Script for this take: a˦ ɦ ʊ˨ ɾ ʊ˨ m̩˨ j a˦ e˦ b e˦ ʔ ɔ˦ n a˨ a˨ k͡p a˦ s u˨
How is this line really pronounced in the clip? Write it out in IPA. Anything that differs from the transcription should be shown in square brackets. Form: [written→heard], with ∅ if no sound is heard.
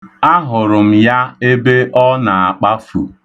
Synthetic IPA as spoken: a˦ ɦ ʊ˨ ɾ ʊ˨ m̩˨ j a˦ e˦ b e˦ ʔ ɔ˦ n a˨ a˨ k͡p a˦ [s→f] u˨